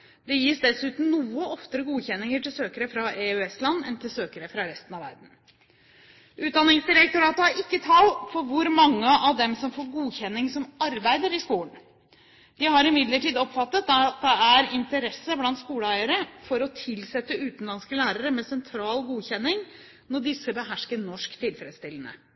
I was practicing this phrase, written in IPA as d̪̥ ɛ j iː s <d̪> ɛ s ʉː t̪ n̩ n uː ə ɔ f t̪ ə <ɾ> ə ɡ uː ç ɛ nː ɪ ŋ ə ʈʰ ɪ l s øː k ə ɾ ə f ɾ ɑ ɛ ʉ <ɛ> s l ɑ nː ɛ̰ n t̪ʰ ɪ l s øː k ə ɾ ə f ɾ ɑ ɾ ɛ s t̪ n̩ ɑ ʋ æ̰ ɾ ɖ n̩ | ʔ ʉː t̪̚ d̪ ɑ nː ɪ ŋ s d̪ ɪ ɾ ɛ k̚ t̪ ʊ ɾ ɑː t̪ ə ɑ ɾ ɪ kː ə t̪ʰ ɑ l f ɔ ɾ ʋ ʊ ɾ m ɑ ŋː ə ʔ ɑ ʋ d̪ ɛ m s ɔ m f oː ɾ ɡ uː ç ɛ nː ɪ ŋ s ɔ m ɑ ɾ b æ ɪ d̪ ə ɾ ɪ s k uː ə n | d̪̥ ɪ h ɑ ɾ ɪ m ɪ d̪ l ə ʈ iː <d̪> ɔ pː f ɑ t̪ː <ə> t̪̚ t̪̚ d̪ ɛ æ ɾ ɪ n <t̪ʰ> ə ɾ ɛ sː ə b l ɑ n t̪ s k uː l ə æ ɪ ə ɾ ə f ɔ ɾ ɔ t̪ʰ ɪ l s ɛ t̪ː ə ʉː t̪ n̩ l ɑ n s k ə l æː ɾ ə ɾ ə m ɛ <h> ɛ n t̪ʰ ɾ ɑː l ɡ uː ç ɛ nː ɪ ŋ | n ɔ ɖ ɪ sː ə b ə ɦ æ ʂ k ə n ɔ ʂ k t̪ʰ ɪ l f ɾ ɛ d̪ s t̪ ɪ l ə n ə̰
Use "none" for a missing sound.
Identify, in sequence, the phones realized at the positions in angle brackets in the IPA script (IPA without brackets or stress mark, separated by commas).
d̪, ɾ, ɛ, d̪, ə, t̪, s